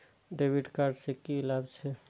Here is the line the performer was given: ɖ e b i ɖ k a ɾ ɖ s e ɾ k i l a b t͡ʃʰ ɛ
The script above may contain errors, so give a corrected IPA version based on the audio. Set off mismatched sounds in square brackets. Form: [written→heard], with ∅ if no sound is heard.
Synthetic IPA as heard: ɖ e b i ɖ k a ɾ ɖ s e [ɾ→∅] k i l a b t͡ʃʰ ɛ